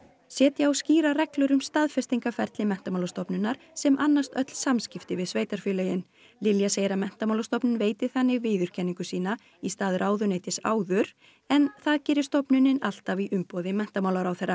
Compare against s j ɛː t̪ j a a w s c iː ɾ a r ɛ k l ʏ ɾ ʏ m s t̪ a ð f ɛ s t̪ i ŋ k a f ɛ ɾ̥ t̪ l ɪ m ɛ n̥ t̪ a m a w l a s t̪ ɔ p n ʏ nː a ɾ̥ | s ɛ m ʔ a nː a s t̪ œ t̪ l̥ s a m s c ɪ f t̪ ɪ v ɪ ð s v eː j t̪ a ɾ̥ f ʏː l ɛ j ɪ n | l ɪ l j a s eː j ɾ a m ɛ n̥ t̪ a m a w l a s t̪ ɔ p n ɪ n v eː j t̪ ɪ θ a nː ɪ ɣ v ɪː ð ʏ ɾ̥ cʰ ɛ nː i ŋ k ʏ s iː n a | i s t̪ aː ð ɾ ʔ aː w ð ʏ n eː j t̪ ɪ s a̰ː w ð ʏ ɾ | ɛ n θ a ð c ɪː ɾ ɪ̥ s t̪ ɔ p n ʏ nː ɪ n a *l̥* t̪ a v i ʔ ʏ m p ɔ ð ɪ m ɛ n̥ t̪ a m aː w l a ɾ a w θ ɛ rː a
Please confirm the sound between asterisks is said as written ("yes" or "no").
yes